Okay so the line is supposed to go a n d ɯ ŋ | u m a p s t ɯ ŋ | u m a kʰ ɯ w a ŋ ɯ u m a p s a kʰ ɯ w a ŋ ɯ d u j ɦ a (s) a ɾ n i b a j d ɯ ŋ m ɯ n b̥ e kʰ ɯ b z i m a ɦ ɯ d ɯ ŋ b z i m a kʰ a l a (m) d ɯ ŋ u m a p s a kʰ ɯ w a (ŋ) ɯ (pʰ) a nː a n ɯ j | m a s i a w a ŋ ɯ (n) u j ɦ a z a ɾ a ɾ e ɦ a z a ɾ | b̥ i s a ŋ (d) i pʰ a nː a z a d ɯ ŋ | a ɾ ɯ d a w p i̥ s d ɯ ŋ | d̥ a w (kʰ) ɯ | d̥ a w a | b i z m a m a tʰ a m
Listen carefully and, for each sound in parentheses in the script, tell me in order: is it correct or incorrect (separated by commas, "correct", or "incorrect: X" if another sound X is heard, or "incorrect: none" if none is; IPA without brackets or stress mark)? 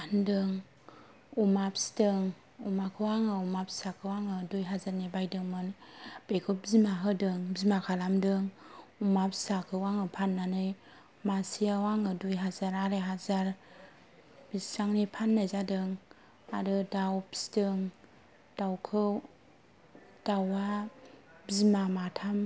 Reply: incorrect: z, correct, correct, correct, incorrect: d, incorrect: n, correct